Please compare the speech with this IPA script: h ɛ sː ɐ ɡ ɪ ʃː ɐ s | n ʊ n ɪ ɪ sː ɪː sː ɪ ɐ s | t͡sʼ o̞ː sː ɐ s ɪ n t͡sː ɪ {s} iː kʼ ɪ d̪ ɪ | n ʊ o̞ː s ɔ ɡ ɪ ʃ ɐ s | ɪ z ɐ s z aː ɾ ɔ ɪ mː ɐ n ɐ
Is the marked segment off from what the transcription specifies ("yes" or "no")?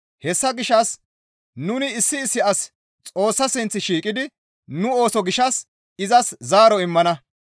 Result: yes